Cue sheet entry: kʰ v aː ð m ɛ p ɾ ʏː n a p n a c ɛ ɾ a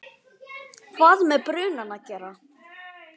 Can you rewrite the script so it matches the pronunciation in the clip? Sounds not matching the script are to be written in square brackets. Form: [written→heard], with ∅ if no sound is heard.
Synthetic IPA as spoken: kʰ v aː ð m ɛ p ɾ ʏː n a [p→∅] n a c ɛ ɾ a